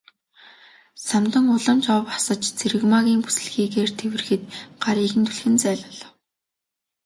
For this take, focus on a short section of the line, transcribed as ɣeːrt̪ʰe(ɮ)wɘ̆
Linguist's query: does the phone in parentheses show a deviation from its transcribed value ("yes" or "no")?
yes